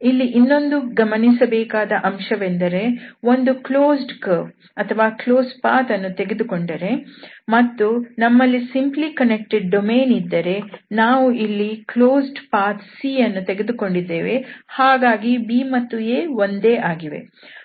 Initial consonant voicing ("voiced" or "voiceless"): voiced